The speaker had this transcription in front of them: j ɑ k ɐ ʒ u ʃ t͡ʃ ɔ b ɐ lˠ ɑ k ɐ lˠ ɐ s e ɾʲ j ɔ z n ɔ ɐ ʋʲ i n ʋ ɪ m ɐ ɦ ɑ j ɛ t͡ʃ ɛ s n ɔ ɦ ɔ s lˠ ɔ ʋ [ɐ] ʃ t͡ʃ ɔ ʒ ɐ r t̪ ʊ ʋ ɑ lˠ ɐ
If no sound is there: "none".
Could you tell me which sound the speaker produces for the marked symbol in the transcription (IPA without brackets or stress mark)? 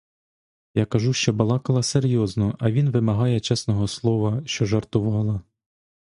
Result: ɐ